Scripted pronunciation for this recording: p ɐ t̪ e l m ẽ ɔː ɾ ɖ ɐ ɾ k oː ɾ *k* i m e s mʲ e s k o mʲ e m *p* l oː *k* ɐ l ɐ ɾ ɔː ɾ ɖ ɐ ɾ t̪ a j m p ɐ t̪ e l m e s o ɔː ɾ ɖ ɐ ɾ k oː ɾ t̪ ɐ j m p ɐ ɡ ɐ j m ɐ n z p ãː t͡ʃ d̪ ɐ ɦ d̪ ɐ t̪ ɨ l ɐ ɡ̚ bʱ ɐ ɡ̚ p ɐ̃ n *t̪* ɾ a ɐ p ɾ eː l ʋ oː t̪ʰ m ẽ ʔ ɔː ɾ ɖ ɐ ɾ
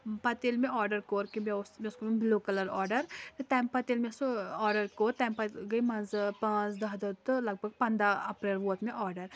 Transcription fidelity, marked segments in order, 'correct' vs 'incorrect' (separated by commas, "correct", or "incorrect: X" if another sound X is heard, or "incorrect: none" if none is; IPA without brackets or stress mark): correct, incorrect: b, correct, incorrect: d̪